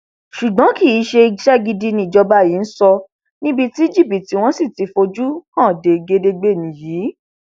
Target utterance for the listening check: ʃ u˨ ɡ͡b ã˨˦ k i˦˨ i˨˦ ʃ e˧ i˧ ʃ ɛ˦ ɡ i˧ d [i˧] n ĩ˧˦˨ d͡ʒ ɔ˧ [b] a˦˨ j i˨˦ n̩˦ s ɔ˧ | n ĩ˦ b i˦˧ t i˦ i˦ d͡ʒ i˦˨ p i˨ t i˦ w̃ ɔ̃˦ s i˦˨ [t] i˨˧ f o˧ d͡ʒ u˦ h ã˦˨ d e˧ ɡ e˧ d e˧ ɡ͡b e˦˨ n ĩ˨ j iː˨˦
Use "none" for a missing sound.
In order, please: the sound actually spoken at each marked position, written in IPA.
i˧, b, t

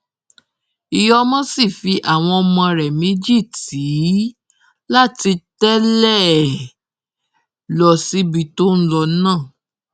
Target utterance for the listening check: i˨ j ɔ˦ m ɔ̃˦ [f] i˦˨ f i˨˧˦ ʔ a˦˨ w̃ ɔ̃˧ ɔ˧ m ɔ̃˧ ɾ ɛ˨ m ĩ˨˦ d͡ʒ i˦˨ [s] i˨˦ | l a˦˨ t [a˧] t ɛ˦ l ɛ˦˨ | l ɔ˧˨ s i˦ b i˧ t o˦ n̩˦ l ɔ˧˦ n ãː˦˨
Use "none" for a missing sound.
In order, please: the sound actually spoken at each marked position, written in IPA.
s, t, i˧

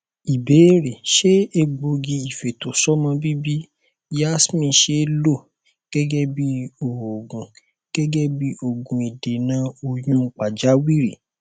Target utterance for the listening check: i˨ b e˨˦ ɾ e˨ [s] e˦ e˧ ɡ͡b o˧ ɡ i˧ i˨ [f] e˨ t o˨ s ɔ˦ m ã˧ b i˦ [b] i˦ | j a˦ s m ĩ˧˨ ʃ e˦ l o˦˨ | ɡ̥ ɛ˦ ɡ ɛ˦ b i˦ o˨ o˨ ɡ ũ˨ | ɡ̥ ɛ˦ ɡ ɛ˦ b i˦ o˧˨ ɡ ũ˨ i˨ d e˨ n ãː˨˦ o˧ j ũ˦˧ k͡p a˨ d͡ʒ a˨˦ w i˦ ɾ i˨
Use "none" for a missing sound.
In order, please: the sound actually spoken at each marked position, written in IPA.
ʃ, f, b

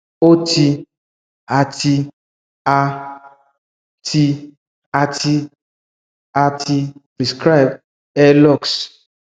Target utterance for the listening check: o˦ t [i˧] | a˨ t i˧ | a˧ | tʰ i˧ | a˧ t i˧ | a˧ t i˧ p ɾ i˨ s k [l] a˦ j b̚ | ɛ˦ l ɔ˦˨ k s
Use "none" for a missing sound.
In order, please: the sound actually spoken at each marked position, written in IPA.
i˧, ɾ

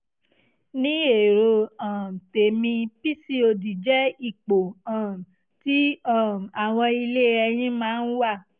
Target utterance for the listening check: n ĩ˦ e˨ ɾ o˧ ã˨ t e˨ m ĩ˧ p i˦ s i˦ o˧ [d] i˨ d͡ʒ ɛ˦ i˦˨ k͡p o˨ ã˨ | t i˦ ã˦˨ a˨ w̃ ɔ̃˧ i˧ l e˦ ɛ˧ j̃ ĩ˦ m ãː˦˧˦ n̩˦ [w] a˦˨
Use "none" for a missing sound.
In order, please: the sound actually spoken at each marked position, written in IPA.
d, w

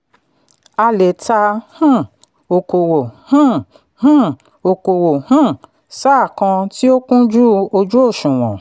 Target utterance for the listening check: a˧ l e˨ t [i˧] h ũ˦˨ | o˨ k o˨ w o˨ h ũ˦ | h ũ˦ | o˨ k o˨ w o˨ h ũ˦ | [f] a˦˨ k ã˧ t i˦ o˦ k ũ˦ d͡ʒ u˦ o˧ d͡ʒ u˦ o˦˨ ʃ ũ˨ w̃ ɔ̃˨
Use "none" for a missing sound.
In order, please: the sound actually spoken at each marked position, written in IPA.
a˧, s

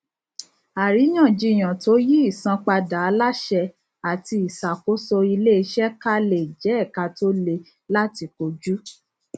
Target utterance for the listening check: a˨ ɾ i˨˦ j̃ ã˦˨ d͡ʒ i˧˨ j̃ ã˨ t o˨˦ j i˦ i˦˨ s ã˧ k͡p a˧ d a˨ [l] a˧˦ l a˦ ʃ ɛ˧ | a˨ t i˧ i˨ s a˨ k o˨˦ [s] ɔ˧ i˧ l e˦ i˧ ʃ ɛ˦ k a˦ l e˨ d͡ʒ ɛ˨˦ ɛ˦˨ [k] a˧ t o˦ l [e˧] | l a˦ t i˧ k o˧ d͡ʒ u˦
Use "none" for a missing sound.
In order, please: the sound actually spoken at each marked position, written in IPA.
none, s, k, e˧

